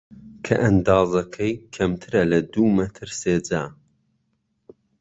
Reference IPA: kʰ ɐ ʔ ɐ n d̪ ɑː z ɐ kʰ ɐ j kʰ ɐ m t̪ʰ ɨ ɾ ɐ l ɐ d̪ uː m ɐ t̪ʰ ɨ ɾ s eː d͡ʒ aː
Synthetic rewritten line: kʰ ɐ ʔ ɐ n d̪ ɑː z ɐ kʰ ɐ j kʰ ɐ m t̪ʰ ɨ ɾ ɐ l ɐ d̪ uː m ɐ t̪ʰ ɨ ɾ s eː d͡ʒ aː